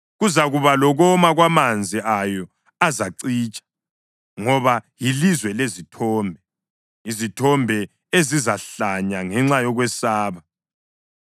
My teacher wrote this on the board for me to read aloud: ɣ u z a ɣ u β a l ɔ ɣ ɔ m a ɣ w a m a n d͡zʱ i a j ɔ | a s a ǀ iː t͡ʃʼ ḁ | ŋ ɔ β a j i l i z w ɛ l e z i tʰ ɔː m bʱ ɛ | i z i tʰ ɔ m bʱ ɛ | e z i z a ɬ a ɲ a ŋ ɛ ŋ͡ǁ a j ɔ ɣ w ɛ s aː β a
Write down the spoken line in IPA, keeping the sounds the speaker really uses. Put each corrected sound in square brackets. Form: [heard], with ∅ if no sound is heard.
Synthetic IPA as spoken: ɣ u z a ɣ u β a l ɔ ɣ ɔ m a ɣ w a m a n d͡zʱ i a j ɔ | a [z] a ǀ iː t͡ʃʼ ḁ | ŋ ɔ β a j i l i z w ɛ l e z i tʰ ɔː m bʱ ɛ | i z i tʰ ɔ m bʱ ɛ | e z i z a ɬ a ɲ a ŋ ɛ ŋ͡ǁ a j ɔ ɣ w ɛ s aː β a